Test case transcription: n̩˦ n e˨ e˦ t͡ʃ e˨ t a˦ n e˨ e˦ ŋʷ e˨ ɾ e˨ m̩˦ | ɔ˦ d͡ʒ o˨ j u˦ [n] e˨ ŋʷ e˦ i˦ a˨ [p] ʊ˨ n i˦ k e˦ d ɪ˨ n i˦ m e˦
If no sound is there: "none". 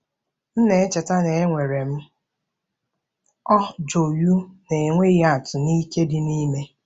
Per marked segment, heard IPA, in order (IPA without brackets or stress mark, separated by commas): n, t